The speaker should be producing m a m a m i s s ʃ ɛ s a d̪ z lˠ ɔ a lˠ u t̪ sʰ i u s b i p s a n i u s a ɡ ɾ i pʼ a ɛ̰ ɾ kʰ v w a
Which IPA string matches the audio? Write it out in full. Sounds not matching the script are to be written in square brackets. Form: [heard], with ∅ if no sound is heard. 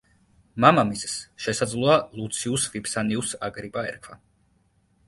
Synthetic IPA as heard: m a m a m i s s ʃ ɛ s a d̪ z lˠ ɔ a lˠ u t̪ sʰ i u s [v] i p s a n i u s a ɡ ɾ i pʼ a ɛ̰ ɾ kʰ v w a